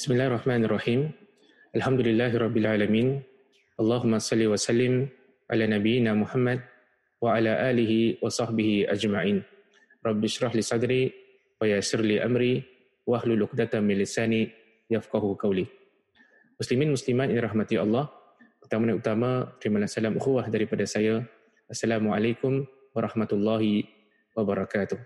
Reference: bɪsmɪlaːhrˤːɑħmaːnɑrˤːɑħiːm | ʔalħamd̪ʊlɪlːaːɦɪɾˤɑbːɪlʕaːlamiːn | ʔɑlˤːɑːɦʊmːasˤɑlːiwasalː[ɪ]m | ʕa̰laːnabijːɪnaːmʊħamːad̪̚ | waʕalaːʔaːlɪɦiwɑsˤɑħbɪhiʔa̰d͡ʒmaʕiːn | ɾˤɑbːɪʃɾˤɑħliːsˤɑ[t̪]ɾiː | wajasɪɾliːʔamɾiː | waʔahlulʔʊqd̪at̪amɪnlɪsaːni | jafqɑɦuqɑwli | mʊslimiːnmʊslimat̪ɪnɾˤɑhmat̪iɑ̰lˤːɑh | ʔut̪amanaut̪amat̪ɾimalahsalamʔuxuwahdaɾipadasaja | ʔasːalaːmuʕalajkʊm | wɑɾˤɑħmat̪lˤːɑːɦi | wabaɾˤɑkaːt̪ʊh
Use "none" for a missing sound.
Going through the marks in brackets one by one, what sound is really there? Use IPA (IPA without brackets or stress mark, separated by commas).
ɪ, d̪